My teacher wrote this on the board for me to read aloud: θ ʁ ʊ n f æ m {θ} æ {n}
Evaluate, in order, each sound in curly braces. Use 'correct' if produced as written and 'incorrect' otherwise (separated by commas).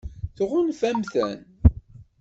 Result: correct, correct